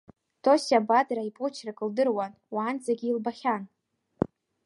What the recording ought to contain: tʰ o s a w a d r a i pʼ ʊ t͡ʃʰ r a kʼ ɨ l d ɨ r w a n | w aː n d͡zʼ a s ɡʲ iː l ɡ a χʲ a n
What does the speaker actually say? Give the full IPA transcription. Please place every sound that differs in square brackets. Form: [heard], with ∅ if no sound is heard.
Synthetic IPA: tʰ o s a [b] a d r a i pʼ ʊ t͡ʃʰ r a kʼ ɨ l d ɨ r w a n | w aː n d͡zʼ a [∅] ɡʲ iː l [b] a χʲ a n